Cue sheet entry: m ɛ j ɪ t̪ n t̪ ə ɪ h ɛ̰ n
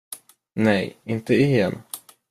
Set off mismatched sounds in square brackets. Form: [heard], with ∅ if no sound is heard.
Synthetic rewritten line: [n] ɛ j ɪ [∅] n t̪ ə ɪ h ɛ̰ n